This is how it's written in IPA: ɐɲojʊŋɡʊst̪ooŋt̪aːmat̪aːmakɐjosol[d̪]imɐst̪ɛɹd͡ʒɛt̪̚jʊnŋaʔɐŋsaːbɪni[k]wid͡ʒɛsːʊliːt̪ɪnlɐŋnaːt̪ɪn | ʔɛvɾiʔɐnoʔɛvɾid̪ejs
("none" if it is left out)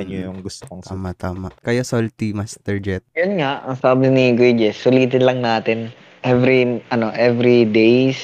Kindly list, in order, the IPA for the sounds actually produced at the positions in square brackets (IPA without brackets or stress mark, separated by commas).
t̪, ɡ